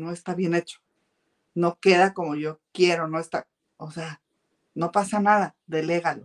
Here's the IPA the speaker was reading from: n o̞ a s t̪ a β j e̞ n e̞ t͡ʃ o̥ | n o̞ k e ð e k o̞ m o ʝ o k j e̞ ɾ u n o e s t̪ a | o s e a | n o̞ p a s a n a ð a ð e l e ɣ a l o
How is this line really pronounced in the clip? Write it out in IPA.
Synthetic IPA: n o̞ e s t̪ a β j e̞ n e̞ t͡ʃ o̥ | n o̞ k e ð a k o̞ m o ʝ o k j e̞ ɾ o n o e s t̪ a | o s e a | n o̞ p a s a n a ð a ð e l e ɣ a l o